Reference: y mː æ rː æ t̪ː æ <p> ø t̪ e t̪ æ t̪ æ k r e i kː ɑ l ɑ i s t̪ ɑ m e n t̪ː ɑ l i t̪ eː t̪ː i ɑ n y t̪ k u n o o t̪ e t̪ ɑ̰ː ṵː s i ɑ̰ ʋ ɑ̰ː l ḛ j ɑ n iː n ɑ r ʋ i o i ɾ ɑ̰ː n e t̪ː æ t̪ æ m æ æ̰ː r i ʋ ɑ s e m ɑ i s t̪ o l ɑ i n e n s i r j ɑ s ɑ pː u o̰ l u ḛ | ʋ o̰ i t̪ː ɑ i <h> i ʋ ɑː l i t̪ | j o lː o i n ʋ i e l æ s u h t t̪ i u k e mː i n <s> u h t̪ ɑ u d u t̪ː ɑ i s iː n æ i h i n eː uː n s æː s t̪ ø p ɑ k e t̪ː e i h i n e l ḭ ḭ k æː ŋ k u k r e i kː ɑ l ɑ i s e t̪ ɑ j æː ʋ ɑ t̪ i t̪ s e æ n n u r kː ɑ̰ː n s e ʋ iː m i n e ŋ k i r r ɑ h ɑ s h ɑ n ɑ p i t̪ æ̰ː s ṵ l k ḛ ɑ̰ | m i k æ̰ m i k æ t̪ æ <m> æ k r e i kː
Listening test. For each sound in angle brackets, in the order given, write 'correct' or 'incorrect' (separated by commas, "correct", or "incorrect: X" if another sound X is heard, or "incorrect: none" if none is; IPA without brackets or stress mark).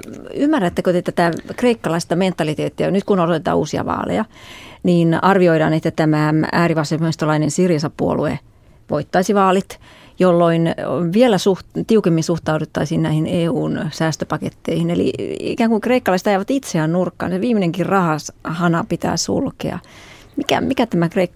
incorrect: k, incorrect: s, correct, correct